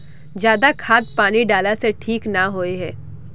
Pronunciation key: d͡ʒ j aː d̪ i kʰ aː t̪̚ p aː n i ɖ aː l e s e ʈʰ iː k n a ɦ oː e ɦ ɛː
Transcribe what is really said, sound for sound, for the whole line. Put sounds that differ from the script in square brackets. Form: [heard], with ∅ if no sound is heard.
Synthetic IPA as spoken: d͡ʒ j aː d̪ [a] kʰ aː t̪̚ p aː n i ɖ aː l [a] s e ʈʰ iː k n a ɦ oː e ɦ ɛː